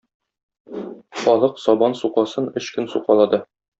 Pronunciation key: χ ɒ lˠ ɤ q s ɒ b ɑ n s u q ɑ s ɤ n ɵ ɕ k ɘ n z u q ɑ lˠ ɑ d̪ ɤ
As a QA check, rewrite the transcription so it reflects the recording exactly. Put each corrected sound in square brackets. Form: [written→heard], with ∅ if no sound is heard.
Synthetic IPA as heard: χ ɒ lˠ ɤ q s ɒ b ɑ n s u q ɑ s ɤ n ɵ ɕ k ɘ n [z→s] u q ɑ lˠ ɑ d̪ ɤ